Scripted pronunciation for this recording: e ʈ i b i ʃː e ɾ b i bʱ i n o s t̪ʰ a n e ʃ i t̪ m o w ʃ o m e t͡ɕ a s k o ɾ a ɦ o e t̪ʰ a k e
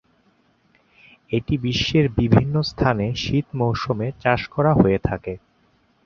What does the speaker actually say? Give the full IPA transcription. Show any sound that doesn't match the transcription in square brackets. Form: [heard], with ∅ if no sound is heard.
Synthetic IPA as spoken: e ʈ i b i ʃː e ɾ b i bʱ i [nː] o s t̪ʰ a n e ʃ i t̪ m o w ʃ o m e t͡ɕ a [ʃ] k [ɔ] ɾ a ɦ o e t̪ʰ a k e